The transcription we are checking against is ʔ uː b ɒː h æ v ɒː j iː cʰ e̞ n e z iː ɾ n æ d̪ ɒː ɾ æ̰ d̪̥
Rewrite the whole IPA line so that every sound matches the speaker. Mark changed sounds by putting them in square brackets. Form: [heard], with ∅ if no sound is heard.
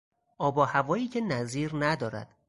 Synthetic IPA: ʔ [ɒː] b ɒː h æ v ɒː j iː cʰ e̞ n [æ] z iː ɾ n æ d̪ ɒː ɾ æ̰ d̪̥